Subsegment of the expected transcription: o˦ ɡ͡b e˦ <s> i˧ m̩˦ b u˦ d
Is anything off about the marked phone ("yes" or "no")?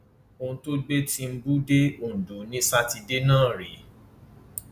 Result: yes